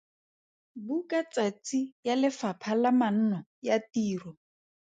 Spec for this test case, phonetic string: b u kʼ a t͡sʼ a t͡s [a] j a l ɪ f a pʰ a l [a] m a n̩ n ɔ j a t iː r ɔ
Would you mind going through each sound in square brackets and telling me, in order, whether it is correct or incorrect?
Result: incorrect: i, correct

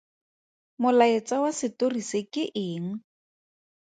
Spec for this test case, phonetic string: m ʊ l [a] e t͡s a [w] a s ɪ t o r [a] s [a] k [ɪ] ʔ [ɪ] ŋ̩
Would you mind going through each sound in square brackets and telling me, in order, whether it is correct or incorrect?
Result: correct, correct, incorrect: i, incorrect: e, correct, incorrect: ɪː

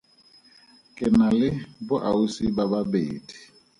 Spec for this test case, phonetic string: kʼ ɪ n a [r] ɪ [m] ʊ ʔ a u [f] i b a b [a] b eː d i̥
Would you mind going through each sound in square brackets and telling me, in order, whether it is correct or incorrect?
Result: incorrect: l, incorrect: b, incorrect: s, correct

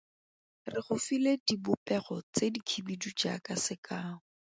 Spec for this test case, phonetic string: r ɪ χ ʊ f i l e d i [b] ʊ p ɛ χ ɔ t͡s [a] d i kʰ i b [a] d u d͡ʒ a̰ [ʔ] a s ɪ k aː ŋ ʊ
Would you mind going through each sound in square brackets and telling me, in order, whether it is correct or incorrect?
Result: correct, incorrect: e, incorrect: i, incorrect: k

